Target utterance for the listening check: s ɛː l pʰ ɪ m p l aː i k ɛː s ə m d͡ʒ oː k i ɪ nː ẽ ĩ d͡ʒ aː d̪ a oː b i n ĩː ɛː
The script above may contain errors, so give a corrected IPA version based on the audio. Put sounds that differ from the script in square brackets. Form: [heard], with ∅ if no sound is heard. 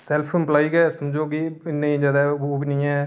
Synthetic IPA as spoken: s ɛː l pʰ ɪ m p l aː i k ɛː s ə m d͡ʒ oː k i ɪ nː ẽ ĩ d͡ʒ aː d̪ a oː b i n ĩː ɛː